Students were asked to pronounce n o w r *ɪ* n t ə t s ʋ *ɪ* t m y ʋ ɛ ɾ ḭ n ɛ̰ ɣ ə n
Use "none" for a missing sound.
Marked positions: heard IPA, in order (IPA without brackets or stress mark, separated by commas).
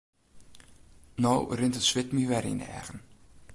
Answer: ɪ, ɪ